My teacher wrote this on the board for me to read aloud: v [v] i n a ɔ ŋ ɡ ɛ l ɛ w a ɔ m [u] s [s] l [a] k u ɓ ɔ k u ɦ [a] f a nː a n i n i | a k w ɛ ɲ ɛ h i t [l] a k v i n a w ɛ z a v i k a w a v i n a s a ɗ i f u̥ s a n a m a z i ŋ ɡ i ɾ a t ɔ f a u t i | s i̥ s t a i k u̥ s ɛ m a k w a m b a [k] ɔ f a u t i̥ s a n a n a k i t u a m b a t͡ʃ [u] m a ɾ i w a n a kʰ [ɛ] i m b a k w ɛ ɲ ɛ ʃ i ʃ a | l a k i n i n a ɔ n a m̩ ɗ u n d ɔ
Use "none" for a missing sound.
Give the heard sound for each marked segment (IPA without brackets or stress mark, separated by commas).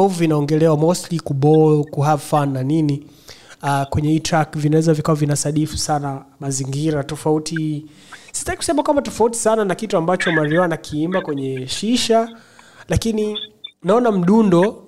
v, ɔ, t, i, a, ɾ, t, ɔ, i